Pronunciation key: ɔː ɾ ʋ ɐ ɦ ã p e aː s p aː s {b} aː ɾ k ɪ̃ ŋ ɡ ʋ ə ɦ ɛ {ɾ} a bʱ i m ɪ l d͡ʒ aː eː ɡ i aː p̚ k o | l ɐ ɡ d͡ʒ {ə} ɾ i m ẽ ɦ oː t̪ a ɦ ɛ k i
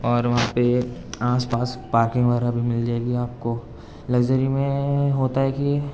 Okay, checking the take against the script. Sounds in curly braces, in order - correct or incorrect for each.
incorrect: p, correct, correct

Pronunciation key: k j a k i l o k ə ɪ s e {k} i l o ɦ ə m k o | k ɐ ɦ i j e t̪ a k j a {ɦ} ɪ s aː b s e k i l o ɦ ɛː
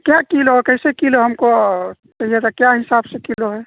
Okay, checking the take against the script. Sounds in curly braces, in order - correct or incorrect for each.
correct, correct

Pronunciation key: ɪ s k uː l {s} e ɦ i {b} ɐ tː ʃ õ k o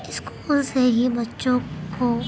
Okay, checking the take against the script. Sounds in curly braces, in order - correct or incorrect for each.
correct, correct

